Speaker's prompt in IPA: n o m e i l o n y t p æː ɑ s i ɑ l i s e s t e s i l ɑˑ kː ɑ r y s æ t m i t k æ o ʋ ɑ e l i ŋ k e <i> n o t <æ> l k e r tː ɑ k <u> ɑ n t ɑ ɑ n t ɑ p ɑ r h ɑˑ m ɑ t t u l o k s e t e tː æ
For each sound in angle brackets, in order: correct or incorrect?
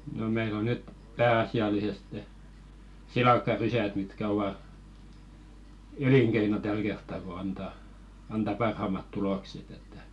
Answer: correct, correct, incorrect: o

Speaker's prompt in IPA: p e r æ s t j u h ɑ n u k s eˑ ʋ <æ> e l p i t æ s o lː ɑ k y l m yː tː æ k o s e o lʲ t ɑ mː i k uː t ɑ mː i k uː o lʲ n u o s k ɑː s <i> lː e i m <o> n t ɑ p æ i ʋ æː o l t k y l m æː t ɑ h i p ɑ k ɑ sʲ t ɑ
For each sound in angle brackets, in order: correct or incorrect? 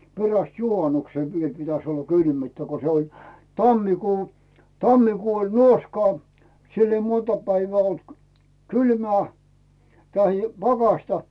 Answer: incorrect: i, correct, correct

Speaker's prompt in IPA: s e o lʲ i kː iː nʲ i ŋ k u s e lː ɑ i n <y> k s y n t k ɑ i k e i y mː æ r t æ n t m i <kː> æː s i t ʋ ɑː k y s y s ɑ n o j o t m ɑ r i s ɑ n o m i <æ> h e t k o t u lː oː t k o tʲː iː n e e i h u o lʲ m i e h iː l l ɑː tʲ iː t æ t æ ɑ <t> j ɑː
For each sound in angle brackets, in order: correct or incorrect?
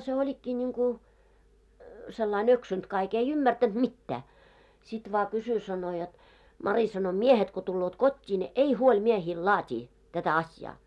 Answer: incorrect: ø, incorrect: tː, incorrect: e, incorrect: s

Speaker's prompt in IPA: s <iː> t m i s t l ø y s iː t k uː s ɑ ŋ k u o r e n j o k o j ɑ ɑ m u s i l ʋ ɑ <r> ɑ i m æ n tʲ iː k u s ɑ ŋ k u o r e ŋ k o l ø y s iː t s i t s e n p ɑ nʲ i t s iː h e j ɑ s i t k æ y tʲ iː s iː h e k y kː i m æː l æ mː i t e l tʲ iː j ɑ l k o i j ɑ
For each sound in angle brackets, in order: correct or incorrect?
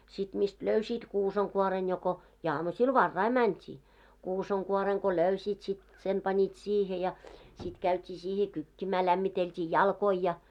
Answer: incorrect: i, incorrect: rː

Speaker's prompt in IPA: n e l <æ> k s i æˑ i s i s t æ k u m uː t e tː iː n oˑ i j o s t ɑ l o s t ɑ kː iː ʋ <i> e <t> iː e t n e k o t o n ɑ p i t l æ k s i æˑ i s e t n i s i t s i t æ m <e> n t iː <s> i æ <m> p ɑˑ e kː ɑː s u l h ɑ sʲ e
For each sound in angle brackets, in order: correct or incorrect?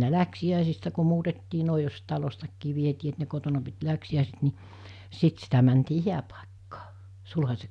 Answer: correct, correct, correct, incorrect: æ, incorrect: h, incorrect: none

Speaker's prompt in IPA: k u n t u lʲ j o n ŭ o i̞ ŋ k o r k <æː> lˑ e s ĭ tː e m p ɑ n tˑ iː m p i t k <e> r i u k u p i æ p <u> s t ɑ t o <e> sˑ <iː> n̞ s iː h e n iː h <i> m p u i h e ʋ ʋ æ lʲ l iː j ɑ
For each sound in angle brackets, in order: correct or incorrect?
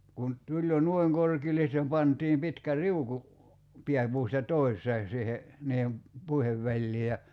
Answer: incorrect: iː, incorrect: æ, incorrect: uː, incorrect: i, incorrect: eː, incorrect: e

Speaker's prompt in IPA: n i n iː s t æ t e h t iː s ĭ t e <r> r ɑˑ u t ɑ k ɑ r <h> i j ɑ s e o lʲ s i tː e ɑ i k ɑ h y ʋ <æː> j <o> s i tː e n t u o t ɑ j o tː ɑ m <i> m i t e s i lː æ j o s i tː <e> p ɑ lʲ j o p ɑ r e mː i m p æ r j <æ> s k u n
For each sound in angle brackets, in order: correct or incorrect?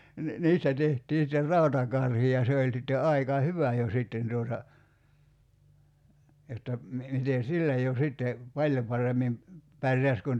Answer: correct, correct, incorrect: æ, correct, correct, correct, correct

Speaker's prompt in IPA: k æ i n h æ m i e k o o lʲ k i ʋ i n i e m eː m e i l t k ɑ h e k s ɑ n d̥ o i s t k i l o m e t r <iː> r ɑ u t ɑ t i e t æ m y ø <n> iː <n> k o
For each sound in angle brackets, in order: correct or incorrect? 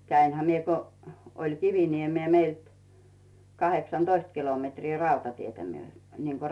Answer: correct, correct, incorrect: ŋ

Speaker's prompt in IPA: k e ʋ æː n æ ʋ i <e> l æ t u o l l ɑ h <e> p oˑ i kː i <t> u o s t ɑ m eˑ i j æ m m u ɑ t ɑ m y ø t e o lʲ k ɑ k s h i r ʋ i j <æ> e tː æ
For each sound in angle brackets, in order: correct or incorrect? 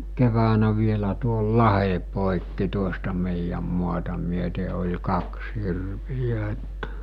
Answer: correct, correct, correct, correct

